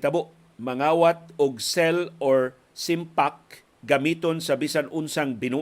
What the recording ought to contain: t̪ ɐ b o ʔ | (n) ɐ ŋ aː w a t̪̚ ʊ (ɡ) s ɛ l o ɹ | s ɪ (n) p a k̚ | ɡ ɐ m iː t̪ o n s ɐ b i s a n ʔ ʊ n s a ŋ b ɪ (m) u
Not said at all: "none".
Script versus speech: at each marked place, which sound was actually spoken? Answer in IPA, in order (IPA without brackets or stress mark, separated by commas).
m, ɡ, m, n